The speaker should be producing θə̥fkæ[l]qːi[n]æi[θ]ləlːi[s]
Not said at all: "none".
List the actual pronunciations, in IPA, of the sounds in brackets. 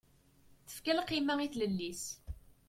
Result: l, m, θ, s

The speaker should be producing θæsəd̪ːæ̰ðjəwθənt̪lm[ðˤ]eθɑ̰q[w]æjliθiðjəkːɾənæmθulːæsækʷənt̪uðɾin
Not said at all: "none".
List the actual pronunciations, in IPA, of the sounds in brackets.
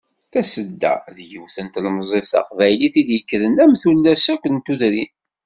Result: zˤ, v

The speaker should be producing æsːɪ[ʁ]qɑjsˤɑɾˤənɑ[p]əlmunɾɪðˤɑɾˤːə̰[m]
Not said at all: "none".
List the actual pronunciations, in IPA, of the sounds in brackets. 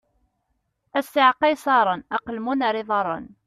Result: ʕ, q, n

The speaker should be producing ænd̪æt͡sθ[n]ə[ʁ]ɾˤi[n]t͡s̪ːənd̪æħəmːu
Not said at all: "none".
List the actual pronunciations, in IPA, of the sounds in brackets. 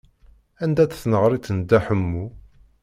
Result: n, ʁ, none

